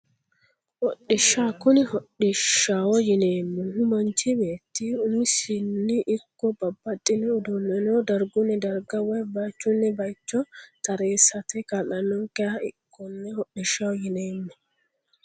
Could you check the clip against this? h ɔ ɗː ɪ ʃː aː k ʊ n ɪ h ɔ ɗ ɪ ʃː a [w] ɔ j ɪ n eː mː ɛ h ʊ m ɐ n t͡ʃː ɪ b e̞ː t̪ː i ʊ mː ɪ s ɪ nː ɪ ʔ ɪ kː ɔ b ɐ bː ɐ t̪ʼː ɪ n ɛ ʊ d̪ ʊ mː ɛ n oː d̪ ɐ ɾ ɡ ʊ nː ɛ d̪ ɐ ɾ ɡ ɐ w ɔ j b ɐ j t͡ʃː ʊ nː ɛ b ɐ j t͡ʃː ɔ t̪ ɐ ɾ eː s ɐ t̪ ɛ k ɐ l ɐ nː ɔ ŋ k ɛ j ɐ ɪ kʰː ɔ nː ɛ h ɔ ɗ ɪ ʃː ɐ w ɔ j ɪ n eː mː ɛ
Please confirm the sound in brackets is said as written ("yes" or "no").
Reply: yes